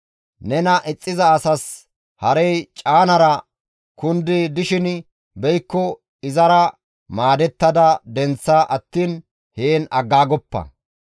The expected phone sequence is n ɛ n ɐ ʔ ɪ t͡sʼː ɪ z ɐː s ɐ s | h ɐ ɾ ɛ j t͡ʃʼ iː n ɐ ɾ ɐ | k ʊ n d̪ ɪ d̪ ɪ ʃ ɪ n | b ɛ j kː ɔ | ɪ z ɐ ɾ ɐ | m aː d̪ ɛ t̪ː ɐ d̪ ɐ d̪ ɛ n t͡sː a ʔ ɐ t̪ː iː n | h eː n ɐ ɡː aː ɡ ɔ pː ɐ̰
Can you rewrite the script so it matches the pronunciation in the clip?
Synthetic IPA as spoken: n ɛ n ɐ ʔ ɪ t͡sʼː ɪ z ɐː s ɐ s | h ɐ ɾ ɛ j t͡ʃʼ aː n ɐ ɾ ɐ | k ʊ n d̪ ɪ d̪ ɪ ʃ ɪ n | b ɛ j kː ɔ | ɪ z ɐ ɾ ɐ | m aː d̪ ɛ t̪ː ɐ d̪ ɐ d̪ ɛ n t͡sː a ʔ ɐ t̪ː iː n | h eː n ɐ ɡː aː ɡ ɔ pː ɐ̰